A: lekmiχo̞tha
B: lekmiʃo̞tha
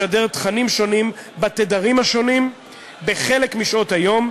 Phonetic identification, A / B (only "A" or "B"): B